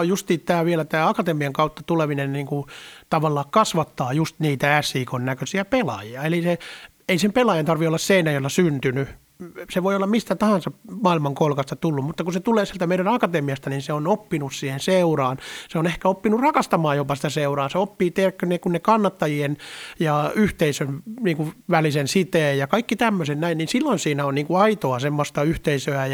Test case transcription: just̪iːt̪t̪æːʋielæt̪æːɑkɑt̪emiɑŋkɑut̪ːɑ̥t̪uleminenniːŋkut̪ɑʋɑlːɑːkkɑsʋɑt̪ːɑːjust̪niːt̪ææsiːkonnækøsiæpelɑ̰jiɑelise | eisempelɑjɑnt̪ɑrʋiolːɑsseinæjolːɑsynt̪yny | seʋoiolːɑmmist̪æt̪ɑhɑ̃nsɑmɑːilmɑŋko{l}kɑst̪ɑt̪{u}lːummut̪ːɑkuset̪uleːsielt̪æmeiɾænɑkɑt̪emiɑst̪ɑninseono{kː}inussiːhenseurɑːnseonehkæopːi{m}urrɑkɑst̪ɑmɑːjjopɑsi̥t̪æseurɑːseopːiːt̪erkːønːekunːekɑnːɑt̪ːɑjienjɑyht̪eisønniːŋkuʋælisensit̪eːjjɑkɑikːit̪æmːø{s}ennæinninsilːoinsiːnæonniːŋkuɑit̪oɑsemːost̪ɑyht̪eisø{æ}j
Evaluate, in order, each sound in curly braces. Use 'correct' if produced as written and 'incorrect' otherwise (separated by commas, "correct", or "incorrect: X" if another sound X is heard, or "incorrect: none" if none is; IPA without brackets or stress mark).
correct, correct, incorrect: pː, incorrect: n, correct, correct